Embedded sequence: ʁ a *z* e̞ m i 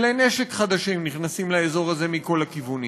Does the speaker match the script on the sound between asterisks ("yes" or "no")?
yes